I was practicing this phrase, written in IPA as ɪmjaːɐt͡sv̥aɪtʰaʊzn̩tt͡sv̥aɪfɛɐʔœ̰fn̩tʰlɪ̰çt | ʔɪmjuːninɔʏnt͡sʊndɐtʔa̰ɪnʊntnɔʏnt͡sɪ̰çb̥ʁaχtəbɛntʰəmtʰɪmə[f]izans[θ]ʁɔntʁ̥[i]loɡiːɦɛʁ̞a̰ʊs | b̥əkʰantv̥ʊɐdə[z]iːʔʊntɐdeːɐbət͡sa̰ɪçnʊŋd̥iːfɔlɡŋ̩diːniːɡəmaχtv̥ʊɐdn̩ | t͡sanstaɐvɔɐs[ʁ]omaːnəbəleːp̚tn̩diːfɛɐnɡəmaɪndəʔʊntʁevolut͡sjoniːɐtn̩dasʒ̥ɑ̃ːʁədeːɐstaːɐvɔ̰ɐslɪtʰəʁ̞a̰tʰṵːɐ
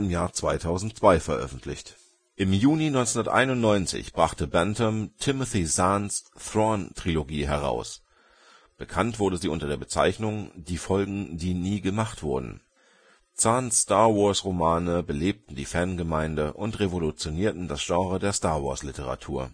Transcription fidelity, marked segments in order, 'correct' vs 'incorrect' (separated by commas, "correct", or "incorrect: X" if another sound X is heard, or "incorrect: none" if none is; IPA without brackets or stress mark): incorrect: θ, correct, correct, correct, correct